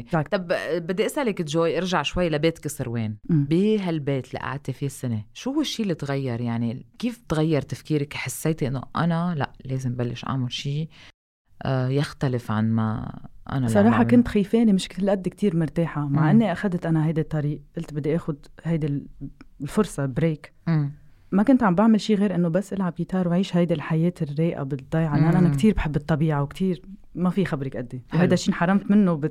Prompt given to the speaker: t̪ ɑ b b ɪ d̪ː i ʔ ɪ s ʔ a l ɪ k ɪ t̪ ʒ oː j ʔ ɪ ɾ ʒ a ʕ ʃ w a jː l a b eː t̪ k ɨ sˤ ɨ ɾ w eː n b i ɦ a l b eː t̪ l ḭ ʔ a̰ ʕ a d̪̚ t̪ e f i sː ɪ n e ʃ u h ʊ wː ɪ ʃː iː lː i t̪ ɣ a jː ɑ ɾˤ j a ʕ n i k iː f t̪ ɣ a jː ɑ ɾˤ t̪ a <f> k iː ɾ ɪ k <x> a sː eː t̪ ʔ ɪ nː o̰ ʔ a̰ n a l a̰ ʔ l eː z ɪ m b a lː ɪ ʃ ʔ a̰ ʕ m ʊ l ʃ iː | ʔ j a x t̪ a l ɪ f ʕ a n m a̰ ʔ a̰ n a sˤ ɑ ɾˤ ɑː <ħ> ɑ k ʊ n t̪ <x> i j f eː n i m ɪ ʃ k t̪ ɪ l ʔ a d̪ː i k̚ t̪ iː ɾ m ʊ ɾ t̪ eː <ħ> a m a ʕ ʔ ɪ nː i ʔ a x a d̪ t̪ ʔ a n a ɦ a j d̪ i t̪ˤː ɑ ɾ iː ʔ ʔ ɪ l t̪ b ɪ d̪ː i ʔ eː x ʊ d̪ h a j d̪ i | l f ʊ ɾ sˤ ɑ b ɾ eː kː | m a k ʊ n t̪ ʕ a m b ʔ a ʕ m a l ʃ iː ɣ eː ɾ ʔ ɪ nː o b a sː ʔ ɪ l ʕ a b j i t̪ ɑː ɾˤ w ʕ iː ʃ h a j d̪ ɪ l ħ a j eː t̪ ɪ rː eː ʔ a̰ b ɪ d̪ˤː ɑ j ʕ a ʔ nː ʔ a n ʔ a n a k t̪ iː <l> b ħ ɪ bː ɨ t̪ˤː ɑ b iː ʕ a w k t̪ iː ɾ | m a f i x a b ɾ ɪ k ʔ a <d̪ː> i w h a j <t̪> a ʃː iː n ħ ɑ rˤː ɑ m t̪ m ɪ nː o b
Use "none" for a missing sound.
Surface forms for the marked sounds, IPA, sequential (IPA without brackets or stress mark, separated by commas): f, ħ, ħ, x, ħ, ɾ, d̪ː, d̪